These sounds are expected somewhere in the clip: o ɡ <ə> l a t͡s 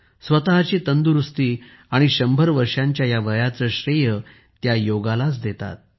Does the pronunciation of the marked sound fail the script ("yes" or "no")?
yes